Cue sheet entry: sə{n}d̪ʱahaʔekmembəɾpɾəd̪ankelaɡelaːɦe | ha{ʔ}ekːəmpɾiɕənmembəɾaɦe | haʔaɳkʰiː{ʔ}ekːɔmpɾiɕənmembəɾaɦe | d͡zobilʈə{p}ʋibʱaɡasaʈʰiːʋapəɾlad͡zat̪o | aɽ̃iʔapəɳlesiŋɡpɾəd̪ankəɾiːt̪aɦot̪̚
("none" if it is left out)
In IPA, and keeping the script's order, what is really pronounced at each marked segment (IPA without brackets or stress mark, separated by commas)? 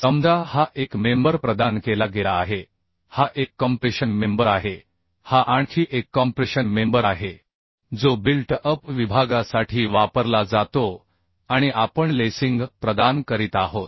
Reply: m, ʔ, ʔ, p